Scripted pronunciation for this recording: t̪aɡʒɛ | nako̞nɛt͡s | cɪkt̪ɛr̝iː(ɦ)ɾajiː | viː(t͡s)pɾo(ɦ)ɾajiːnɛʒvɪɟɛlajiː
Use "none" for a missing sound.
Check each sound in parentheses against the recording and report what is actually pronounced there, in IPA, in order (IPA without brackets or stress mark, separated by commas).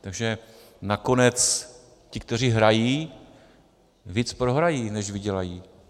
ɦ, t͡s, ɦ